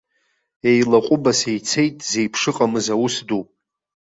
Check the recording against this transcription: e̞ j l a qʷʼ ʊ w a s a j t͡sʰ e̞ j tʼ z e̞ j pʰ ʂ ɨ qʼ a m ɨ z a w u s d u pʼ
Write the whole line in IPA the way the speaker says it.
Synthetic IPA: e̞ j l a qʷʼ ʊ b a s e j t͡sʰ e̞ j tʼ z e̞ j pʰ ʂ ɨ qʼ a m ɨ z a w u s d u pʼ